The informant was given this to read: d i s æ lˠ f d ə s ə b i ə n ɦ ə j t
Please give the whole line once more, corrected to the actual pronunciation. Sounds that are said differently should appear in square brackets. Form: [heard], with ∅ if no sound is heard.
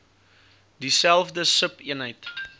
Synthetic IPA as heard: d i s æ lˠ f d ə s ə [p] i ə n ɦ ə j t